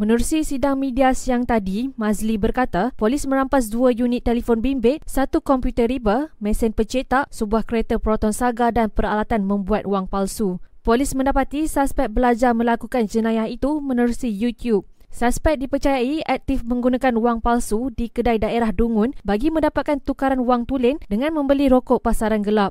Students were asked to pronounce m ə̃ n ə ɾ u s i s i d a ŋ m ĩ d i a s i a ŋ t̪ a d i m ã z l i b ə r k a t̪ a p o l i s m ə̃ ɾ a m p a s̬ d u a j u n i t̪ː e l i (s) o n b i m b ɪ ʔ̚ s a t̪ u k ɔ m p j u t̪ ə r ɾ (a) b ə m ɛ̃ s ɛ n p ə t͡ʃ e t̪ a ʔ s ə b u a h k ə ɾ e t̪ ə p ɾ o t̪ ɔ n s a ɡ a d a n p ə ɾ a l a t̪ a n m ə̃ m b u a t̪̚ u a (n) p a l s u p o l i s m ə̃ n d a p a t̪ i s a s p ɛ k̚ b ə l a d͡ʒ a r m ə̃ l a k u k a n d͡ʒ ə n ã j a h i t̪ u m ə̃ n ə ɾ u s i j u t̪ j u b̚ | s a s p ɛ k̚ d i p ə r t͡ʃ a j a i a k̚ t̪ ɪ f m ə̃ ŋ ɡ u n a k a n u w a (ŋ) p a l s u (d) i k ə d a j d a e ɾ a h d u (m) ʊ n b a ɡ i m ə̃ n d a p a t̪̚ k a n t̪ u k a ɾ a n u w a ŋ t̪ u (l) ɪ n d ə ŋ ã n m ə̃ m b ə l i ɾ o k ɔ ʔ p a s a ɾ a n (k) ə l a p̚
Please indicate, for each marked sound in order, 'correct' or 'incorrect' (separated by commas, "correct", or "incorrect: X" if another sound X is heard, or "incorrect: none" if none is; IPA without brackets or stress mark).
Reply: incorrect: f, incorrect: i, incorrect: ŋ, correct, correct, incorrect: ŋ, correct, incorrect: ɡ